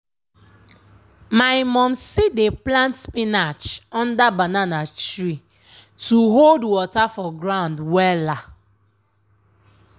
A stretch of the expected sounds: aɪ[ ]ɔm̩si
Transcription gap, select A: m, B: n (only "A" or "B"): A